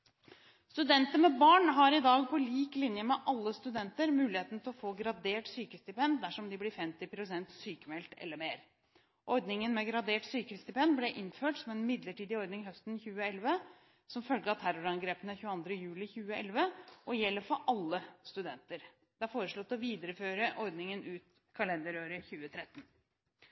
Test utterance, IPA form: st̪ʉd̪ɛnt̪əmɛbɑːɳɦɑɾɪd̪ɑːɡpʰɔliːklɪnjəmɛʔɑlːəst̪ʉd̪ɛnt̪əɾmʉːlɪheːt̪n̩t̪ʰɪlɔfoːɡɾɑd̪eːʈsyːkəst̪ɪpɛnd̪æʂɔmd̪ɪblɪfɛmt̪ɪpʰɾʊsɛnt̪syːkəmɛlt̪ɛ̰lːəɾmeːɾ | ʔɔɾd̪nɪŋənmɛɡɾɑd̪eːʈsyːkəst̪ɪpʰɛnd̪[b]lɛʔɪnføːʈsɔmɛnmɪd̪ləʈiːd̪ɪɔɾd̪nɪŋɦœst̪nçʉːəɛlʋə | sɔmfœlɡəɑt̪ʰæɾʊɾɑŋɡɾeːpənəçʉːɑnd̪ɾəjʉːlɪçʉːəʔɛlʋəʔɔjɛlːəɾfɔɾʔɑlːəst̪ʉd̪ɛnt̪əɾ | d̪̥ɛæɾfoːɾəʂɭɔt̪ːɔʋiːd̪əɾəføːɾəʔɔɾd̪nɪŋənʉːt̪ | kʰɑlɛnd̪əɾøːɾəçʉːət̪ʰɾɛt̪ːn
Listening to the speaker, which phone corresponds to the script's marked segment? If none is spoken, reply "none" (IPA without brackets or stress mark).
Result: b